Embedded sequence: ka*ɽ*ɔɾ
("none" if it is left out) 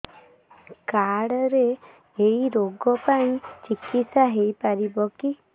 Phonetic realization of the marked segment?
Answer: ɽ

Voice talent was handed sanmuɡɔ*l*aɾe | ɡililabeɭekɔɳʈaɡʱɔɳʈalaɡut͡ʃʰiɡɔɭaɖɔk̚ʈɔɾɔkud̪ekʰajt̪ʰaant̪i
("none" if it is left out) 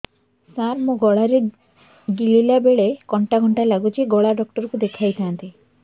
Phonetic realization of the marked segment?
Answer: ɭ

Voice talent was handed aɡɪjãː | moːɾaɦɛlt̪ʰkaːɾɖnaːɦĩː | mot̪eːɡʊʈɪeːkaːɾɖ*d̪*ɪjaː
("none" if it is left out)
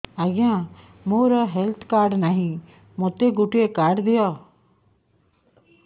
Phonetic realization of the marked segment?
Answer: d̪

